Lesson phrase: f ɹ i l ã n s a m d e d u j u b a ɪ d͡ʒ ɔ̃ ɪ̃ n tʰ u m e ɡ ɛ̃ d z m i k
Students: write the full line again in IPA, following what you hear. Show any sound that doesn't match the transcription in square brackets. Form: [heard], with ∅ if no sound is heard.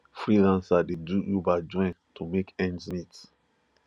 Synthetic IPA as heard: f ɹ i l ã n s a [∅] d e d u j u b a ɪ d͡ʒ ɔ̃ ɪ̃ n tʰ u m e [k] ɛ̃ [n] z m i [t]